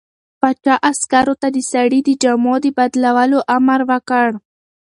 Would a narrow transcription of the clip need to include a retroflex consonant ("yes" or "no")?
yes